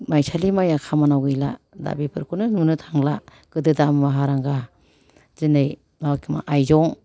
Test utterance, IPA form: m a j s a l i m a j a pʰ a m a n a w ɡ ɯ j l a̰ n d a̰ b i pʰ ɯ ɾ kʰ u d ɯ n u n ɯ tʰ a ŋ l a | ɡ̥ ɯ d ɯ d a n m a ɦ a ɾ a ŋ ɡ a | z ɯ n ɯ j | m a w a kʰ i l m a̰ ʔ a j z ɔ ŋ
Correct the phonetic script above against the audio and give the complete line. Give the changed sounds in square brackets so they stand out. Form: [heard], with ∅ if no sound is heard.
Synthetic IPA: m a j s a l i m a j a [kʰ] a m a n a w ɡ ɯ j l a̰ [∅] d a̰ b i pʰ ɯ ɾ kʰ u [n] ɯ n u n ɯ tʰ a ŋ l a | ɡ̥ ɯ d ɯ d a [m] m a ɦ a ɾ a ŋ ɡ a | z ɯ n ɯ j | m a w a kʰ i [∅] m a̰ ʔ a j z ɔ ŋ